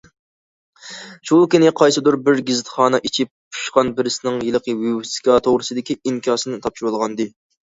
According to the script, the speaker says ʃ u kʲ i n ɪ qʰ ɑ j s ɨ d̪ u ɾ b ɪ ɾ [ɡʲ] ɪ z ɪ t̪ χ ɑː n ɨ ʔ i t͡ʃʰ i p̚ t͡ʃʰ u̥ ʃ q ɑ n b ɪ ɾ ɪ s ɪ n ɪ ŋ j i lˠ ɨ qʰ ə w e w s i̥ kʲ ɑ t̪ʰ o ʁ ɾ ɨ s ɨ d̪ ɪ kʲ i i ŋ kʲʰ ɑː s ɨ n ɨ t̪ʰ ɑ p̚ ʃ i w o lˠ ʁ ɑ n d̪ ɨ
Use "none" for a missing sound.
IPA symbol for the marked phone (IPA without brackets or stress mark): ɡʲ